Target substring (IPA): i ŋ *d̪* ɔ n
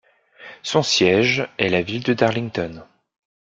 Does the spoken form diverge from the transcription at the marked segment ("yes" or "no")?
yes